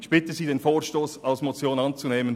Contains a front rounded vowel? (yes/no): no